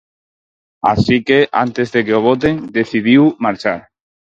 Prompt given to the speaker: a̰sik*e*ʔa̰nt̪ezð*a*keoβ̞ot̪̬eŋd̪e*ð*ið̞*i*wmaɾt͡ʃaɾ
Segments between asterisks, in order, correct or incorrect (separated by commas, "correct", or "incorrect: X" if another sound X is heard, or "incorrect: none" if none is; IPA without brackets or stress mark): correct, incorrect: e, incorrect: θ, correct